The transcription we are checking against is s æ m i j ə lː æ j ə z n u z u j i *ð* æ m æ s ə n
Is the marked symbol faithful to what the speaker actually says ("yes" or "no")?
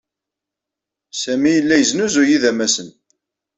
yes